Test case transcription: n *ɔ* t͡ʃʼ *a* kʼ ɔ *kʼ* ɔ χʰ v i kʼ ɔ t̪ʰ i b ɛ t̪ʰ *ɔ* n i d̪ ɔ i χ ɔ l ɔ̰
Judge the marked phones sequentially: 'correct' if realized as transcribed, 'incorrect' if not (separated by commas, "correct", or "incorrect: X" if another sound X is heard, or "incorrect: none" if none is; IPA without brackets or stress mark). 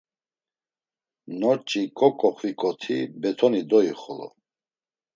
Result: correct, incorrect: i, correct, correct